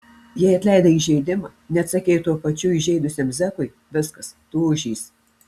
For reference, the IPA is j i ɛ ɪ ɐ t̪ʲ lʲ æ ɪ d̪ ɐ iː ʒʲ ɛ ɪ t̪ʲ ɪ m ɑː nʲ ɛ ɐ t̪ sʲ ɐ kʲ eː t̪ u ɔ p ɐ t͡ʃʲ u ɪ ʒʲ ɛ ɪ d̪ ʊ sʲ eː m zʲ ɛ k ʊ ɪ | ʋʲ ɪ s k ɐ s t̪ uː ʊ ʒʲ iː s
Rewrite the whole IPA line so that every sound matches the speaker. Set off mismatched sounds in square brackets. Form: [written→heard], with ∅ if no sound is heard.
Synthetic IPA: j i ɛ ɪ ɐ t̪ʲ lʲ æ ɪ d̪ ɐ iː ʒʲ ɛ ɪ [t̪ʲ→d̪ʲ] ɪ m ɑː nʲ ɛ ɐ t̪ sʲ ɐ kʲ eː t̪ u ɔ p ɐ t͡ʃʲ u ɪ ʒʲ ɛ ɪ d̪ ʊ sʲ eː m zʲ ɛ k ʊ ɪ | ʋʲ ɪ s k ɐ s t̪ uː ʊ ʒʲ iː s